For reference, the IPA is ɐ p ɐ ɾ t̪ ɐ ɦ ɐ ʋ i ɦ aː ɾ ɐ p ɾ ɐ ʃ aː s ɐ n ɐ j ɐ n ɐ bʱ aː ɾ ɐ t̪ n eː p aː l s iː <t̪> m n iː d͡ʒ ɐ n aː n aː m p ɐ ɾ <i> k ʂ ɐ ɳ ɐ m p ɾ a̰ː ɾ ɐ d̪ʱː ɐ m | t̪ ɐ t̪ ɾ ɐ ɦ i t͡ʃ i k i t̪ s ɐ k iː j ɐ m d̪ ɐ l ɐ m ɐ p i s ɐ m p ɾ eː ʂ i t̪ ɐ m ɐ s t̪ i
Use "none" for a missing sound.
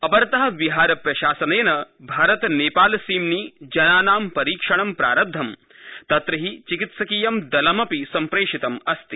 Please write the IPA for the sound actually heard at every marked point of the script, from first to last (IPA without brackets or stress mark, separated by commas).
none, iː